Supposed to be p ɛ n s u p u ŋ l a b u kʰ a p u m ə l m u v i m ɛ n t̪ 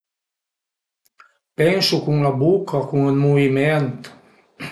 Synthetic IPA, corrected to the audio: p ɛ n s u k u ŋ l a b u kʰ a k u ŋ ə l m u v i m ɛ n t̪